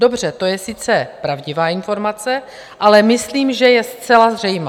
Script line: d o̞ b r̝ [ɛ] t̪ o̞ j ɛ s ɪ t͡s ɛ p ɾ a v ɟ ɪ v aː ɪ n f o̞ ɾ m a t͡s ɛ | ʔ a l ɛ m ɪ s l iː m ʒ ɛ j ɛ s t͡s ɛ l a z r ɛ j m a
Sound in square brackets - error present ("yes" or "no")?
no